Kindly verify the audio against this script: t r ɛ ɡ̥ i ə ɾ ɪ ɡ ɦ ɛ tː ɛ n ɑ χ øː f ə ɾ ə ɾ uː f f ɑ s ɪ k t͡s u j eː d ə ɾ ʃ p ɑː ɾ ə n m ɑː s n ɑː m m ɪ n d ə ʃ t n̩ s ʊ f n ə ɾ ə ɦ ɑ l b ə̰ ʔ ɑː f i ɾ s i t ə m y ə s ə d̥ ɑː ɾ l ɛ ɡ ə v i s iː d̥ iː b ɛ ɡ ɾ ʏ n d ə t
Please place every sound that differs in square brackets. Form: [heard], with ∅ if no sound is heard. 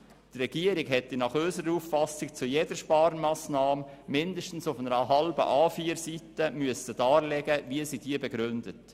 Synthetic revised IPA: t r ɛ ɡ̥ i ə ɾ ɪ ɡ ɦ ɛ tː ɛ n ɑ χ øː [s] ə ɾ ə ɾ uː f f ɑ s ɪ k t͡s u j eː d ə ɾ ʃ p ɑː ɾ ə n m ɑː s n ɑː m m ɪ n d ə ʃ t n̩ s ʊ f n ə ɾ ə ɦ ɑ l b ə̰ ʔ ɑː f [iː] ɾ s i t ə m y ə s ə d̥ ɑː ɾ l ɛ ɡ ə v i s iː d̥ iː b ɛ ɡ ɾ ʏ n d ə t